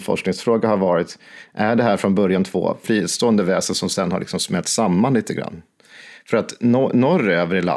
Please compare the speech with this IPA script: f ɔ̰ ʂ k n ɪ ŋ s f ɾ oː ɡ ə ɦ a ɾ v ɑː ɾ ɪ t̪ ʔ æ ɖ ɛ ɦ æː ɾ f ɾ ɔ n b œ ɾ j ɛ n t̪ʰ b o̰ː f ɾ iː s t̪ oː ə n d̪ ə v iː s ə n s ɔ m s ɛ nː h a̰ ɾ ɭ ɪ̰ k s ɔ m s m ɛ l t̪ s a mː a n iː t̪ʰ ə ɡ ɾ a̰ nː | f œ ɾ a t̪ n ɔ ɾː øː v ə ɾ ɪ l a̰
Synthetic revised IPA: f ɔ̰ ʂ k n ɪ ŋ s f ɾ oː ɡ a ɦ a ɾ v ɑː ɾ ɪ t̪ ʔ æ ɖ ɛ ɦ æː ɾ f ɾ ɔ n b œ ɾ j a n t̪ʰ v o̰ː f ɾ iː s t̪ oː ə n d̪ ə v ɛː s ə n s ɔ m s ɛ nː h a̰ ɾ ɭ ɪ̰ k s ɔ m s m ɛ l t̪ s a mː a n iː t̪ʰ ə ɡ ɾ a̰ nː | f œ ɾ a t̪ n ɔ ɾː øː v ə ɾ ɪ l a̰